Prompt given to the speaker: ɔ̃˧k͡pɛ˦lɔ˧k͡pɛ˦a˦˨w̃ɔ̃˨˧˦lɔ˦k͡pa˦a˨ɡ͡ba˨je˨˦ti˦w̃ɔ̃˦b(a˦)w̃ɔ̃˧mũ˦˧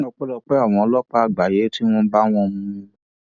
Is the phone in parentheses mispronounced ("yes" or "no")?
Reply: no